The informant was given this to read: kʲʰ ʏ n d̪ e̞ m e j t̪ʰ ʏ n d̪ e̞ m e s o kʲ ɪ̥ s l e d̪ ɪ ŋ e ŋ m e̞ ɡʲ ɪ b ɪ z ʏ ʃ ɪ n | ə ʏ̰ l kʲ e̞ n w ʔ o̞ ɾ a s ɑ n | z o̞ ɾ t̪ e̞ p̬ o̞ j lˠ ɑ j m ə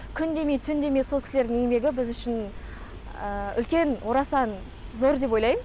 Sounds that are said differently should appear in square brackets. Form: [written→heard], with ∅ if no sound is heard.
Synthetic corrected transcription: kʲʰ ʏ n d̪ e̞ m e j t̪ʰ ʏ n d̪ e̞ m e s o kʲ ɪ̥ s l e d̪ ɪ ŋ e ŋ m e̞ ɡʲ ɪ b ɪ z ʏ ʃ ɪ n | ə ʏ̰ l kʲ e̞ n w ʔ o̞ ɾ [a→ɑ] s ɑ n | z o̞ ɾ [t̪→d̪] e̞ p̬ o̞ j lˠ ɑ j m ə